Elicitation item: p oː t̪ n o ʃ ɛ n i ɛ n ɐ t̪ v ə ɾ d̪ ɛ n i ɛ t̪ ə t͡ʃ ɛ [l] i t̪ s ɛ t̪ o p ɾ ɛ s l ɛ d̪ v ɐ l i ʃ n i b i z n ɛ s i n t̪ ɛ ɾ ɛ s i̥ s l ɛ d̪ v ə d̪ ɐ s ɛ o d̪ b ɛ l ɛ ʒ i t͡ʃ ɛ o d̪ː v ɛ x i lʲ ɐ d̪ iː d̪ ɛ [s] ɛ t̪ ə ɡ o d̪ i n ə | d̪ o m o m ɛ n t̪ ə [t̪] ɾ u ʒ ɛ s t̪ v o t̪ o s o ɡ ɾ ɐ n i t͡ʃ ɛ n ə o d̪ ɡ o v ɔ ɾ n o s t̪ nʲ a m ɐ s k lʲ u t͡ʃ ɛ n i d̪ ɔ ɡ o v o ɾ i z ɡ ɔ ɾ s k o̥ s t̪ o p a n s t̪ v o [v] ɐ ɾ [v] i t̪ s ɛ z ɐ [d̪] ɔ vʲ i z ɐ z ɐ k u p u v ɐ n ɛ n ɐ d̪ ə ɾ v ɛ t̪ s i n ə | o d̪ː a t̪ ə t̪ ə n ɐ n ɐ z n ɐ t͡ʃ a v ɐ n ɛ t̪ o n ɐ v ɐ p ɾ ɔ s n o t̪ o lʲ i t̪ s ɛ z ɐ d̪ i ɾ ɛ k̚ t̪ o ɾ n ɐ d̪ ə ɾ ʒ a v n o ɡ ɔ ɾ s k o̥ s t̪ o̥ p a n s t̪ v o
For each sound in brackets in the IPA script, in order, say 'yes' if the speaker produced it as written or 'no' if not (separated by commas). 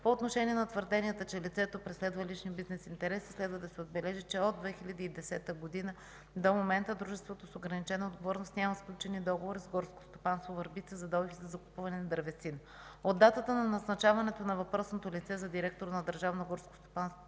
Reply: yes, yes, no, yes, no, yes